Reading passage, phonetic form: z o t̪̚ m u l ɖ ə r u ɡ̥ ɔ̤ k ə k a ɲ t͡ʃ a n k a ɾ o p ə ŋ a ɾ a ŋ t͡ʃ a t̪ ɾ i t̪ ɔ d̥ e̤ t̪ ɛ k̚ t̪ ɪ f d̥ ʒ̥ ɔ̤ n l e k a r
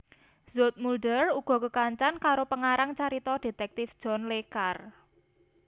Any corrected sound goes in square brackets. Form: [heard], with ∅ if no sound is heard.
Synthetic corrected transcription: z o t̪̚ m u l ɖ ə r u ɡ̥ ɔ̤ k ə k a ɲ t͡ʃ a n k a ɾ o p ə ŋ a ɾ a ŋ t͡ʃ a [∅] ɾ i t̪ ɔ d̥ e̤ t̪ ɛ k̚ t̪ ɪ f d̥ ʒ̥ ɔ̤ n l e k a r